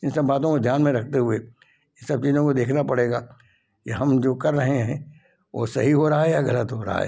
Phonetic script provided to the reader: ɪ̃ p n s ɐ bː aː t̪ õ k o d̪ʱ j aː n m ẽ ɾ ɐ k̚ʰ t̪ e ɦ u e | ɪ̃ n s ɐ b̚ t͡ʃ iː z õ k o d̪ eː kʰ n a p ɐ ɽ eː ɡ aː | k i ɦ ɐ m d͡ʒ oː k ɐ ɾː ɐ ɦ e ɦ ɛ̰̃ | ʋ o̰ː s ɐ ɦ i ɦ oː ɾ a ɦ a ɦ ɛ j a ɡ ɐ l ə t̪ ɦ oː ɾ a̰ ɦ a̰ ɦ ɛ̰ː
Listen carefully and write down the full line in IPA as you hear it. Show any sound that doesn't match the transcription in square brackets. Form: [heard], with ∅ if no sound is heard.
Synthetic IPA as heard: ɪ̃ [∅] n s ɐ bː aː t̪ õ k o d̪ʱ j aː n m ẽ ɾ ɐ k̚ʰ t̪ e ɦ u e | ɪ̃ n s ɐ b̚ t͡ʃ iː z õ k o d̪ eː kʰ n a p ɐ ɽ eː ɡ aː | k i ɦ ɐ m d͡ʒ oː k ɐ ɾː ɐ ɦ e ɦ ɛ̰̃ | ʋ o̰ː s ɐ ɦ i ɦ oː ɾ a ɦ a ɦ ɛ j a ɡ ɐ l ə t̪ ɦ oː ɾ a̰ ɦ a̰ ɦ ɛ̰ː